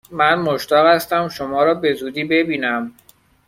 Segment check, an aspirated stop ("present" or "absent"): absent